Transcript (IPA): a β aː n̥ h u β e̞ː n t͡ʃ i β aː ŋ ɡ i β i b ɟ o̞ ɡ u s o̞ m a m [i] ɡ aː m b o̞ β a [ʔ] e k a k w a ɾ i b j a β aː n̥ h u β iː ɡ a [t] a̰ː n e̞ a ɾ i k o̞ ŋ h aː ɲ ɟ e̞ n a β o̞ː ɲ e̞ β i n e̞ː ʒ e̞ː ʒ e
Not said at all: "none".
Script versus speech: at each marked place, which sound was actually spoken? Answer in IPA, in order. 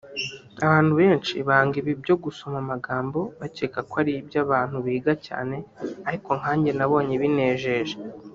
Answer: a, c, c

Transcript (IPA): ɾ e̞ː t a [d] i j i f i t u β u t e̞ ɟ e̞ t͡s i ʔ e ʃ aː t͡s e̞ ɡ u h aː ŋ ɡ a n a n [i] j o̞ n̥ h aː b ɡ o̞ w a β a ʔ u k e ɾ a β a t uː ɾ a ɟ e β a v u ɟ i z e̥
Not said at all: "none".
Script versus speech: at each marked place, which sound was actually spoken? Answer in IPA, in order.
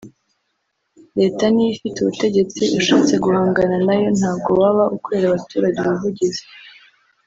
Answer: n, a

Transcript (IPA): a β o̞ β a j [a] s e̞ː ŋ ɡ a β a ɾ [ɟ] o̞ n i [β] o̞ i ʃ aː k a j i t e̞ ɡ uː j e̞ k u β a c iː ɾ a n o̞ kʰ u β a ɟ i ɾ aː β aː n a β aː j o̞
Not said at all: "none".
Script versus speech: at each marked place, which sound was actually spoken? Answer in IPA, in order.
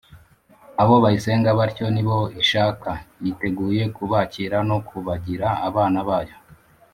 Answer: i, c, β

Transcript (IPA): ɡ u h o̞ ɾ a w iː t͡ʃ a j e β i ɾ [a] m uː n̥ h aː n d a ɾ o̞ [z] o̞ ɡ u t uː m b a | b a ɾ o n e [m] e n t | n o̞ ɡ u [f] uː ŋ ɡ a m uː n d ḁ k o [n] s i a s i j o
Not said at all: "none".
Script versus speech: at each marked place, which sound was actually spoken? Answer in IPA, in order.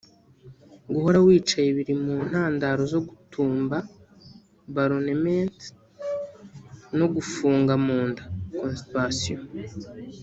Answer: i, z, m, f, n

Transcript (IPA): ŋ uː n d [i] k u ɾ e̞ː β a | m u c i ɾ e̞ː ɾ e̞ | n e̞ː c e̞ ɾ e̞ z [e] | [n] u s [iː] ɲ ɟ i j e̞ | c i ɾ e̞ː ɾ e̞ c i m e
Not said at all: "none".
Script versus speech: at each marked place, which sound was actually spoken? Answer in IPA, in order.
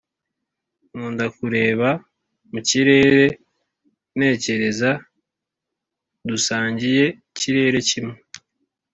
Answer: a, a, d, aː

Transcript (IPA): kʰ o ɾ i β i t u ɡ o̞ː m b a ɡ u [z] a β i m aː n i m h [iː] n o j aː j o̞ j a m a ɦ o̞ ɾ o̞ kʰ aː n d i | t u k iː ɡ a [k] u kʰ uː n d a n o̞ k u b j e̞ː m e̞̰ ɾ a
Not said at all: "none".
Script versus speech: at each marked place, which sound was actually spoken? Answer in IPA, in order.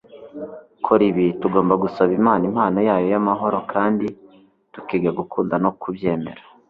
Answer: s, aː, ɡ

